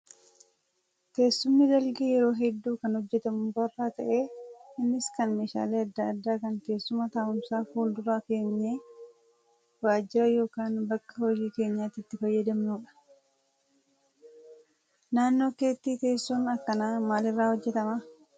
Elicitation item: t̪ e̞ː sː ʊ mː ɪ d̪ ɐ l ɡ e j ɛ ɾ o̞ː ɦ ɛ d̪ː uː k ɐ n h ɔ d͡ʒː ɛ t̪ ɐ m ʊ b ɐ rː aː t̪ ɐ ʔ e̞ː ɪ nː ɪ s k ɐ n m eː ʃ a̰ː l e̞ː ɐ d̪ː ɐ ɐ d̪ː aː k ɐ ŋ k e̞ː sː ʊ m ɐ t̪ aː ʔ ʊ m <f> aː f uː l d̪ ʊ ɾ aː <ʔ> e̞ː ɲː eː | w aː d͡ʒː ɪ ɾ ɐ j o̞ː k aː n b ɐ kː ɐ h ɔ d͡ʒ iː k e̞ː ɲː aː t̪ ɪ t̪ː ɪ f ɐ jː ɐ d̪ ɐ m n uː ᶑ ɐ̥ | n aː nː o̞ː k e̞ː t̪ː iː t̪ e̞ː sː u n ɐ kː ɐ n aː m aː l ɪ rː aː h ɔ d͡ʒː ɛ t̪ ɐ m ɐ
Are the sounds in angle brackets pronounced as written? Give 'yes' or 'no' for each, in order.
no, no

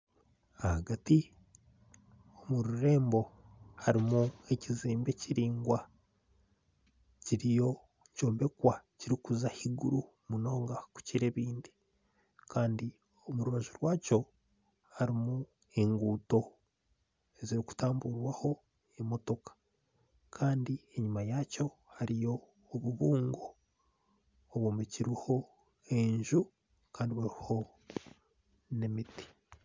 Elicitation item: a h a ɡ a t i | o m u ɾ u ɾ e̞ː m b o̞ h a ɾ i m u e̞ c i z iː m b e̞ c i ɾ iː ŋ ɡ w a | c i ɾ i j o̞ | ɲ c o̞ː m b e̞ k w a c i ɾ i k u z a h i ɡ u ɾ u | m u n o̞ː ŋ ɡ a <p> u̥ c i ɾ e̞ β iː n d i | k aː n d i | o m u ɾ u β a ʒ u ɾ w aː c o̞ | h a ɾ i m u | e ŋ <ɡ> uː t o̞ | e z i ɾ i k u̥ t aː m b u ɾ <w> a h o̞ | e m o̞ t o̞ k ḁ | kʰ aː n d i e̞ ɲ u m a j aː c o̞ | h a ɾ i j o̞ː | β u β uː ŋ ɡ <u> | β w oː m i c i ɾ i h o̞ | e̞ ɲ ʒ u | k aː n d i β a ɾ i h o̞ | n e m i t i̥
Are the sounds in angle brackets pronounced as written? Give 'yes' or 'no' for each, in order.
no, yes, yes, no

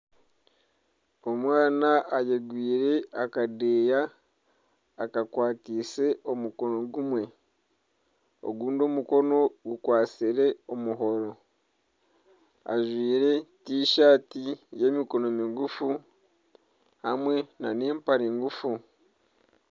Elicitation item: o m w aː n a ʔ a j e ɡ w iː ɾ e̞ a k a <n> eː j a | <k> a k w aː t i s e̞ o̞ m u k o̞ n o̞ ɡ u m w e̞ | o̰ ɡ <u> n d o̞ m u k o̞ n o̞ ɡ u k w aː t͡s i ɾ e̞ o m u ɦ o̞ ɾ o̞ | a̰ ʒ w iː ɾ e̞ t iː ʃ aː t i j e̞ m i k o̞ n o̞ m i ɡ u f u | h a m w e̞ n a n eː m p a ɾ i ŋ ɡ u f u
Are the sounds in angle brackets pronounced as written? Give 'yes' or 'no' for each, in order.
no, yes, no

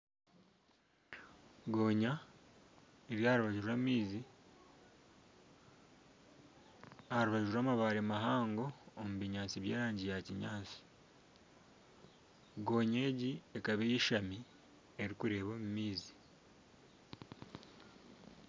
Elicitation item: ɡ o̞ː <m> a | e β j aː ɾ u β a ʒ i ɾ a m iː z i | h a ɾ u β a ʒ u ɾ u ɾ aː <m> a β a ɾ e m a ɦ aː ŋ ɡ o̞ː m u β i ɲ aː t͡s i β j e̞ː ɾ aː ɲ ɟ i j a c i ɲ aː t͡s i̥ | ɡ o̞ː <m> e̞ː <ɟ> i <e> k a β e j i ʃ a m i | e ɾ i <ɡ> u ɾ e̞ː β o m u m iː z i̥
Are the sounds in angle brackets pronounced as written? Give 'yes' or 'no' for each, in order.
no, yes, no, yes, yes, no

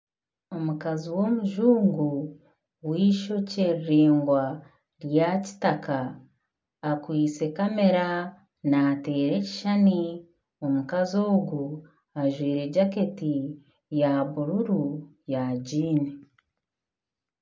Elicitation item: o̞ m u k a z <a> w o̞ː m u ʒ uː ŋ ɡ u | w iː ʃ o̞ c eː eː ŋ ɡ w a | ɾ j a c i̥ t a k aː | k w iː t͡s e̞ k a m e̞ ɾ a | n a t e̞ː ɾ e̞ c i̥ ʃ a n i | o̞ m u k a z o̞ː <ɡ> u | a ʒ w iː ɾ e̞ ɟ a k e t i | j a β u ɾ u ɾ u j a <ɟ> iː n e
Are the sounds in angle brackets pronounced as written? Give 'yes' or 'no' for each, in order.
no, yes, yes

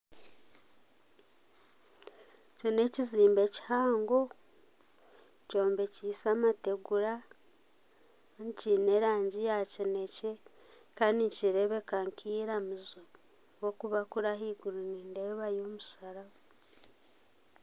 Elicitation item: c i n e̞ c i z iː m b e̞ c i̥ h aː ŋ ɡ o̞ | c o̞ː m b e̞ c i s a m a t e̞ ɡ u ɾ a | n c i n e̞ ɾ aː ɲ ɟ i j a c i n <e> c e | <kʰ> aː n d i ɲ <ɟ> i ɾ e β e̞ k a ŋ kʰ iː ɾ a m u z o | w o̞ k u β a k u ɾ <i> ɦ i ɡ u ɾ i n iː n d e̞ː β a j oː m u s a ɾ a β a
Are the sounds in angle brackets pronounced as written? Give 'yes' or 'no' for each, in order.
yes, no, no, no

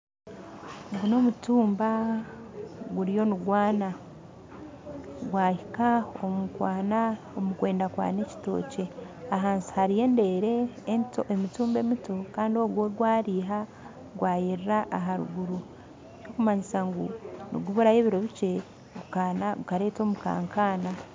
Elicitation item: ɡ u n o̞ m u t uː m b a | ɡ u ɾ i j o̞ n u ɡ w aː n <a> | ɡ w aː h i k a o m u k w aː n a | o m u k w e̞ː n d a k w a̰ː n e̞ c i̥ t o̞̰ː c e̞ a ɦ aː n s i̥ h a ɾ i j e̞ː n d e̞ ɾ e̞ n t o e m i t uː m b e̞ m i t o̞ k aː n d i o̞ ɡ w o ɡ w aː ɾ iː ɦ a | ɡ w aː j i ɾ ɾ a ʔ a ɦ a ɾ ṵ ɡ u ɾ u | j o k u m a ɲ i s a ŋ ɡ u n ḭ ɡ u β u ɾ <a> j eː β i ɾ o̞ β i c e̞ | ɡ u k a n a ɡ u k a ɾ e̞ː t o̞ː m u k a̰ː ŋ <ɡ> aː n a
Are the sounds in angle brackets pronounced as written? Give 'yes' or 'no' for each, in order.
yes, yes, no

